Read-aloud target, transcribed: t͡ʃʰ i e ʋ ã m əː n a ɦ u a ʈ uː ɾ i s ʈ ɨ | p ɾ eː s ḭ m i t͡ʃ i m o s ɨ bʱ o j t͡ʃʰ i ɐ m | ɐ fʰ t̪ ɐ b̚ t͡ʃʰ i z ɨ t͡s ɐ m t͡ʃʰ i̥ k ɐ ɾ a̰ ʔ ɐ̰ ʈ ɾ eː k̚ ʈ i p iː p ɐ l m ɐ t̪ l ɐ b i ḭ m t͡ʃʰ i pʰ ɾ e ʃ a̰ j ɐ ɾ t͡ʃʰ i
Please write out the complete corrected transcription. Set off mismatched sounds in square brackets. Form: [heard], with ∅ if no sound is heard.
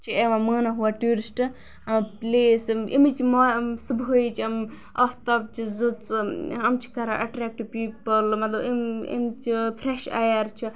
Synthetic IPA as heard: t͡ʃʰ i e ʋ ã m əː n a ɦ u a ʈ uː ɾ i s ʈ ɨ | p [l] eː s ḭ m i t͡ʃ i m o s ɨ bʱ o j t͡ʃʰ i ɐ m | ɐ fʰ t̪ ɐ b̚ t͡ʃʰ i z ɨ t͡s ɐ m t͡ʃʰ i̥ k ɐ ɾ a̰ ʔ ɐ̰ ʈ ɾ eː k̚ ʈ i p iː p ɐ l m ɐ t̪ l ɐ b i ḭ m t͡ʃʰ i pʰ ɾ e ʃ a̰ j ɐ ɾ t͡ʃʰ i